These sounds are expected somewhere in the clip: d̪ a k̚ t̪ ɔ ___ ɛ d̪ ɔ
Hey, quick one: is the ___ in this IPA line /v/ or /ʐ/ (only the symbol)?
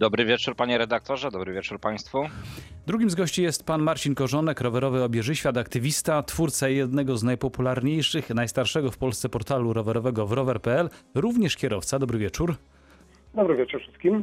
ʐ